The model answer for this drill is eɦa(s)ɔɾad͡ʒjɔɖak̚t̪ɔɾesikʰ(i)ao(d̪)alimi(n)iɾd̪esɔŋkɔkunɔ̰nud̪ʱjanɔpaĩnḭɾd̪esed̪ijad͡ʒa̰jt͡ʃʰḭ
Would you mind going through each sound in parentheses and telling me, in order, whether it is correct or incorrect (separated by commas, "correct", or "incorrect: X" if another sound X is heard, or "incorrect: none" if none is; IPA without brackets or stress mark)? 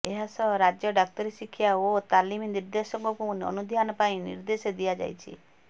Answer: correct, incorrect: j, incorrect: t̪, correct